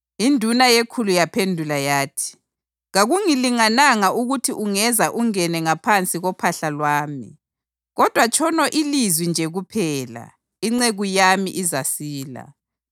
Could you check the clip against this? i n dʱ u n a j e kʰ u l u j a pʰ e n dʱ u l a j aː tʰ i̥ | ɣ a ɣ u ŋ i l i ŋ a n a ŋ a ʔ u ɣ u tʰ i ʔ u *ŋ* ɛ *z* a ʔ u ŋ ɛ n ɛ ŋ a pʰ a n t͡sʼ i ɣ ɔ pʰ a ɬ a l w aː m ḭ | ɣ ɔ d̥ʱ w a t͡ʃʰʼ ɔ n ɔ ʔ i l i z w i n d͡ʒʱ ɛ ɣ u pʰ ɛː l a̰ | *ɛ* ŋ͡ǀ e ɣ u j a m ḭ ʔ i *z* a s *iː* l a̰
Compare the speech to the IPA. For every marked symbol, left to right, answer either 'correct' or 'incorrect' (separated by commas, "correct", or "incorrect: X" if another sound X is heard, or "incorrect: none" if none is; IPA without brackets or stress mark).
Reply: correct, correct, incorrect: i, correct, correct